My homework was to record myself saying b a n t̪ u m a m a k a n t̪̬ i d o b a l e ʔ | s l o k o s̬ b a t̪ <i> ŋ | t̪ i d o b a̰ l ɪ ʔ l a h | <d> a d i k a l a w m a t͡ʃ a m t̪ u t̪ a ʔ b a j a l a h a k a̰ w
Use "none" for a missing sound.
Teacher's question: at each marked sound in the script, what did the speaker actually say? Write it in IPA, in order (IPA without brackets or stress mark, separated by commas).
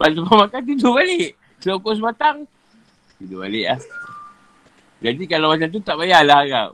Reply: a, d͡ʒ